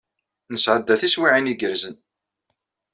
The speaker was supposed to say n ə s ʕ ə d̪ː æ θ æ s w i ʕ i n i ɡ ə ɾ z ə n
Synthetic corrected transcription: n ə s ʕ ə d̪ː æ θ i s w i ʕ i n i ɡ ə ɾ z ə n

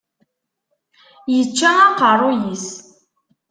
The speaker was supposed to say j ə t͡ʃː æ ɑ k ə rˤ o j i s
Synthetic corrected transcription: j ə t͡ʃː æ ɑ q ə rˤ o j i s

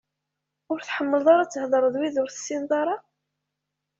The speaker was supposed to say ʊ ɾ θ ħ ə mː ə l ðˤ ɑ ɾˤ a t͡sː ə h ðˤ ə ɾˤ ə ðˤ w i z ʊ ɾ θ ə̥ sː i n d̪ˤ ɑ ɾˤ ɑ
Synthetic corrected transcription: ʊ ɾ θ ħ ə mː ə l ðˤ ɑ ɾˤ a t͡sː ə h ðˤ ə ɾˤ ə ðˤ w i ð ʊ ɾ θ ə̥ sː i n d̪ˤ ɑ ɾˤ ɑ

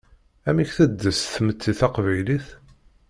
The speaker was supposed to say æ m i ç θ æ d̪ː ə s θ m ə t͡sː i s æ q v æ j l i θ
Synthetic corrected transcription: æ m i ç θ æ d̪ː ə s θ m ə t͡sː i θ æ q v æ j l i θ

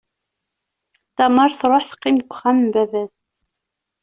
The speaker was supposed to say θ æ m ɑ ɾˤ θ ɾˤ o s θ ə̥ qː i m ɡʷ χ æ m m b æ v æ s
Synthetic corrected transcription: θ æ m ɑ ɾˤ θ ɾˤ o ħ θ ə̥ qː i m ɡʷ χ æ m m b æ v æ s

